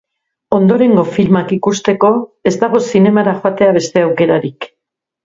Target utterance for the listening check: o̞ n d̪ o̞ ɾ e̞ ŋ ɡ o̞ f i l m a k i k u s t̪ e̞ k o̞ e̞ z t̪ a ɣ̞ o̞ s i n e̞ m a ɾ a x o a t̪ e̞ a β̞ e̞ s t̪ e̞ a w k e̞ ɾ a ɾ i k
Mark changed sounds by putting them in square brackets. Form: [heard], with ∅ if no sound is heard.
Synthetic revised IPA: o̞ n d̪ o̞ ɾ e̞ ŋ ɡ o̞ f i l m a k i k u s t̪ e̞ k o̞ e̞ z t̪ a ɣ̞ o̞ s i n e̞ m a ɾ a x o a t̪ e̞ a β̞ e̞ s t̪ e̞ a w k e̞ ɾ a ɾ i k